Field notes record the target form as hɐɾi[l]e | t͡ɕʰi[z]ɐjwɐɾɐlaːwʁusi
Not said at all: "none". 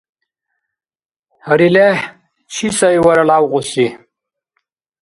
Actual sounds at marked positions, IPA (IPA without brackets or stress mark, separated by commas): l, s